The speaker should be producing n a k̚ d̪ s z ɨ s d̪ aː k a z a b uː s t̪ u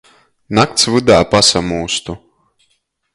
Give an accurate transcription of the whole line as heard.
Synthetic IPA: n a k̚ t̪ s v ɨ d̪ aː p a s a m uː s t̪ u

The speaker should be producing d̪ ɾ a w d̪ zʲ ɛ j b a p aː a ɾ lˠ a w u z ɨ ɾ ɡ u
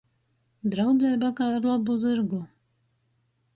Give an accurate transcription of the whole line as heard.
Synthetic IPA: d̪ ɾ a w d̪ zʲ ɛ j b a k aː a ɾ lˠ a b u z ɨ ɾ ɡ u

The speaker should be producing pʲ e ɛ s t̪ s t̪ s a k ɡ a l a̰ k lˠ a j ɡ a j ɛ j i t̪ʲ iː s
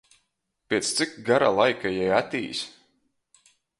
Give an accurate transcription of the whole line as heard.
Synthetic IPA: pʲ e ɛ t̪ s t̪ s i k ɡ a ɾ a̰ lˠ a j k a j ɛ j a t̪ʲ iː s

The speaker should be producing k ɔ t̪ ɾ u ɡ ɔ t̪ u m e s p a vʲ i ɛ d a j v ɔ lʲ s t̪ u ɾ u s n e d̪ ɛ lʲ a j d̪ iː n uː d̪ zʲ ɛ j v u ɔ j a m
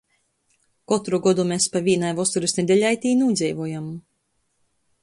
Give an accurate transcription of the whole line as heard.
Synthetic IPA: k ɔ t̪ ɾ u ɡ ɔ d̪ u m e s p a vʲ i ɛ n a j v ɔ s t̪ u ɾ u s n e d̪ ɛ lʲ a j t̪ iː n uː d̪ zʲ ɛ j v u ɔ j a m

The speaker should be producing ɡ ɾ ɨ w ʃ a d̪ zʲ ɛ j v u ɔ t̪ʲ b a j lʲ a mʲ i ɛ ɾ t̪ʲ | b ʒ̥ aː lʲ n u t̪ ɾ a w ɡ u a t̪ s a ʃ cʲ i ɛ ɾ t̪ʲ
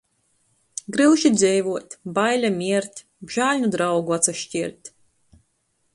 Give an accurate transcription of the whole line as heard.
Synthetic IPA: ɡ ɾ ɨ w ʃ i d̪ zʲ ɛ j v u ɔ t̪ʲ b a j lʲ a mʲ i ɛ ɾ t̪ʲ | b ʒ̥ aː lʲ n u d̪ ɾ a w ɡ u a t̪ s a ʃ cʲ i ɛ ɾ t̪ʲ

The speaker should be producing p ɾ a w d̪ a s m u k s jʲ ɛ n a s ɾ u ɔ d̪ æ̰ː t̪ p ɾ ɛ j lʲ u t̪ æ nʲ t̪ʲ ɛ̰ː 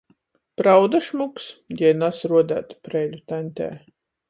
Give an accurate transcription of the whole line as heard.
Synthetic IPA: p ɾ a w d̪ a ʃ m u k s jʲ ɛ n a s ɾ u ɔ d̪ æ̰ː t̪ p ɾ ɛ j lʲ u t̪ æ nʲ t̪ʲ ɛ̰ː

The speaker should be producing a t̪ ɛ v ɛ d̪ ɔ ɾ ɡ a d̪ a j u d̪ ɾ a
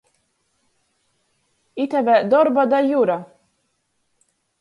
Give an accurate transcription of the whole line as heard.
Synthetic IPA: i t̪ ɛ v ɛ d̪ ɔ ɾ b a d̪ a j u ɾ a

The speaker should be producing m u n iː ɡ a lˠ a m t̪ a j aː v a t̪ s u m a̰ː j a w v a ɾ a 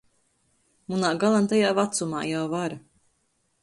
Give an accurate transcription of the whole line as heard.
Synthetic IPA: m u n aː ɡ a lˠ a n t̪ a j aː v a t̪ s u m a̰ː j a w v a ɾ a

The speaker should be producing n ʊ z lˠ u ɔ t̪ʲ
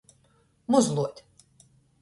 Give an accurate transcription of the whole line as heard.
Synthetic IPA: m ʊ z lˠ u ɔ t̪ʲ

